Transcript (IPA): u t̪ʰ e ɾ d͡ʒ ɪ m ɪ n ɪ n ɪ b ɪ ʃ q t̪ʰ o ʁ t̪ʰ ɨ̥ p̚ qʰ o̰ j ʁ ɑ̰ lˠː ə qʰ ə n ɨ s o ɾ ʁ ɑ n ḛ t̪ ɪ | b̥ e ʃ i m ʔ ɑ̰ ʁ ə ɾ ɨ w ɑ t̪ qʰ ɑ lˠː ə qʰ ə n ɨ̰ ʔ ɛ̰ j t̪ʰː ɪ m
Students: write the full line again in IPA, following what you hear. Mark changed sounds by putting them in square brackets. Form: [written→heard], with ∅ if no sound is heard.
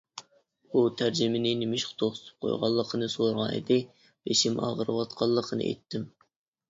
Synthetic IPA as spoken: u t̪ʰ [e→æ] ɾ d͡ʒ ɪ m ɪ n ɪ n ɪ [b→m] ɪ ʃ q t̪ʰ o [ʁ→χ] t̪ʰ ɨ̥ p̚ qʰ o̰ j ʁ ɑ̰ lˠː ə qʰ ə n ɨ s o ɾ ʁ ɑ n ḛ [t̪→d̪] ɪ | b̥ e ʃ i m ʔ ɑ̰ ʁ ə ɾ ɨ w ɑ t̪ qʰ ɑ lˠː ə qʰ ə n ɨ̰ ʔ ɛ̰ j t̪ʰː ɪ m